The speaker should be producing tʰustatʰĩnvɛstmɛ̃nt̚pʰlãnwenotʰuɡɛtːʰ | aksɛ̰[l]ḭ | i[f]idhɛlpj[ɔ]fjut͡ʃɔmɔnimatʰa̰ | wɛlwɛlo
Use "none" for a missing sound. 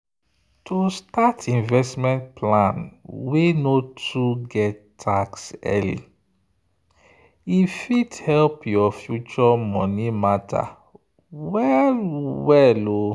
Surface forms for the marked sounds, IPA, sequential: l, f, ɔ

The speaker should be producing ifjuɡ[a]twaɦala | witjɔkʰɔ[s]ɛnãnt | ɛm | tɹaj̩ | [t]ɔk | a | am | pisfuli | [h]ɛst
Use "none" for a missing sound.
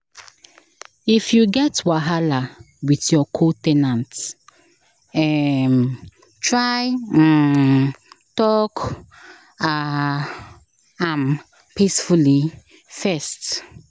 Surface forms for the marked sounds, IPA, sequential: ɛ, t, t, f

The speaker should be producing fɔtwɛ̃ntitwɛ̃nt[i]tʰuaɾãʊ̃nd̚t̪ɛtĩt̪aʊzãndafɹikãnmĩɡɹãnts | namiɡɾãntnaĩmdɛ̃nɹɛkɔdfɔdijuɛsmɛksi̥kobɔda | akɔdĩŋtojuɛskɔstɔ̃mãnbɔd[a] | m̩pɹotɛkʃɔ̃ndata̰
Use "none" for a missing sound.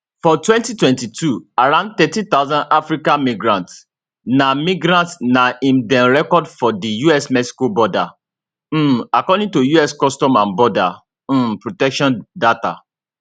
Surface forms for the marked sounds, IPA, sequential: i, a

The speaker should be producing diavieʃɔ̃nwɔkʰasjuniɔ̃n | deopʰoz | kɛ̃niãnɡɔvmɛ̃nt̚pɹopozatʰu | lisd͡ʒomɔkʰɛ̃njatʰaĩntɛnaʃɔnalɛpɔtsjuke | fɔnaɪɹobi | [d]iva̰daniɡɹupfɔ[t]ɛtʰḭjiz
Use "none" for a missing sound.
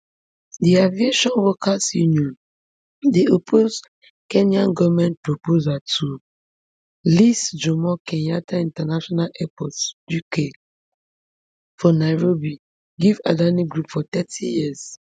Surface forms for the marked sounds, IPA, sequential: ɡ, t

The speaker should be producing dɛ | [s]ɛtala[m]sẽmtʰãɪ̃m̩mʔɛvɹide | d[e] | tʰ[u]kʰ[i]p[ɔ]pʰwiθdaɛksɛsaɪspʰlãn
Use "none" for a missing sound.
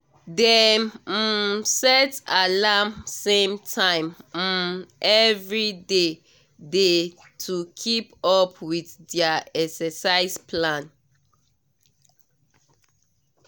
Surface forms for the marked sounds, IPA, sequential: s, m, e, u, i, ɔ

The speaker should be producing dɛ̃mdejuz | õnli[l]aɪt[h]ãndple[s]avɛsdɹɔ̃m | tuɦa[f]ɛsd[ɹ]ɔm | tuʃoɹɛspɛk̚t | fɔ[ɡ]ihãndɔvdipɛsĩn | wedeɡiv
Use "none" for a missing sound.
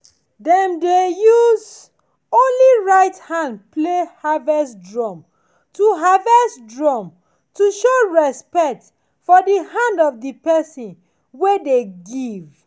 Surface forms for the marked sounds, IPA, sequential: ɹ, h, h, v, ɹ, d

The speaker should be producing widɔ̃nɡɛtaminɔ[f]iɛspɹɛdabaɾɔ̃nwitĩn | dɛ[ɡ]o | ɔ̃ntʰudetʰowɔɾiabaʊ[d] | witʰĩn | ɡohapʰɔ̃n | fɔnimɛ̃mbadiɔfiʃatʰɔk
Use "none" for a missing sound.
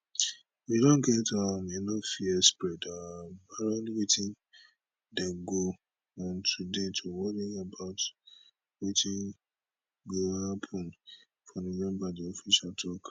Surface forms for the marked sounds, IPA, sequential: f, ɡ, t

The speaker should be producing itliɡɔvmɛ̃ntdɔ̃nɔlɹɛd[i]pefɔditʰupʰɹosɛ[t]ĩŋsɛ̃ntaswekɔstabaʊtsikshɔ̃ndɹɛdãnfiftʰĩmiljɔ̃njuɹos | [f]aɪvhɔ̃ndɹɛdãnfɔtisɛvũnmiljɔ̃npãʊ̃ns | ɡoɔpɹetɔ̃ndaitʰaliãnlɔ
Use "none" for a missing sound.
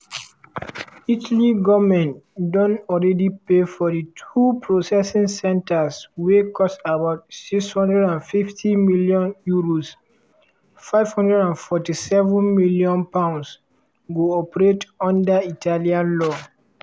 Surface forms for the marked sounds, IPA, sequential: i, s, f

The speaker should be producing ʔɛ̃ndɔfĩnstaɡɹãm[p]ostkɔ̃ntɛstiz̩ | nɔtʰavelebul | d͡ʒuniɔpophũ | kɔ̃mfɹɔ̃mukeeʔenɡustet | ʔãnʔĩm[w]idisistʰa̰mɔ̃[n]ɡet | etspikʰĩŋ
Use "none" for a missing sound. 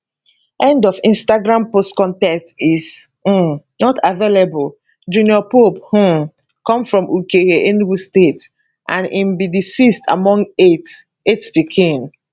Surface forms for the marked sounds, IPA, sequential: p, b, ŋ

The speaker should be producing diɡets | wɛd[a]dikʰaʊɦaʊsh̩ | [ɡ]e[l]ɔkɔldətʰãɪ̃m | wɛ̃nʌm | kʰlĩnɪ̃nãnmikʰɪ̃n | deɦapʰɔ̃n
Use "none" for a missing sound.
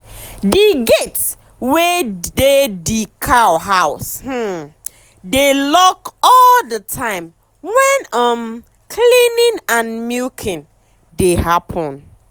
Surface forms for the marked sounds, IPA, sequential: e, d, l

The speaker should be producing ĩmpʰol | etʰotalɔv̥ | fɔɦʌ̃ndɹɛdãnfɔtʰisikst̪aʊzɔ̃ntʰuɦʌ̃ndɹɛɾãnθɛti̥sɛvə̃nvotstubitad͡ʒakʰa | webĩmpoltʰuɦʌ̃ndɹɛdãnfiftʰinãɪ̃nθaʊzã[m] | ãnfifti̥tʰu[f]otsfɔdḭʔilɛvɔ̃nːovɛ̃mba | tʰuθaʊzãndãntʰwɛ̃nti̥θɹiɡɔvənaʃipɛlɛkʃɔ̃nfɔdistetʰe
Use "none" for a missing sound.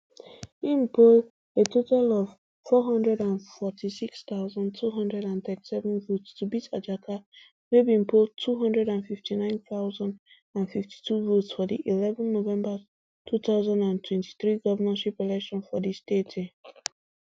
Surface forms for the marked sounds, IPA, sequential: n, v

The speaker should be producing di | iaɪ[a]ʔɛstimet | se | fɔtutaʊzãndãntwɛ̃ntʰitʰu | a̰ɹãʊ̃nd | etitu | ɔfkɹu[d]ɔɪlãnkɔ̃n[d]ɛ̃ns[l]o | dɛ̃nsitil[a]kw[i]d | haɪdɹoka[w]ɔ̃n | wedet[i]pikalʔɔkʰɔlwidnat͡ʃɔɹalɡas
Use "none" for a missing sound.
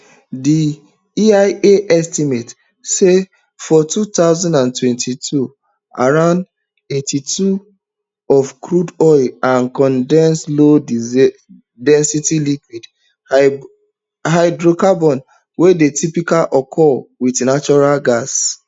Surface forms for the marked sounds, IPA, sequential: e, d, d, l, i, i, b, i

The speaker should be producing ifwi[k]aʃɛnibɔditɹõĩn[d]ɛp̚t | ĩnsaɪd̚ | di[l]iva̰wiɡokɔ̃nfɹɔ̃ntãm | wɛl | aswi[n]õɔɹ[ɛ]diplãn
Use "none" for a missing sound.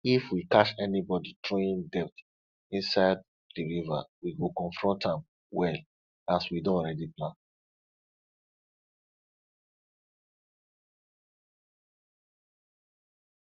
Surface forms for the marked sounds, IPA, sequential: k, d, ɹ, d, ɛ

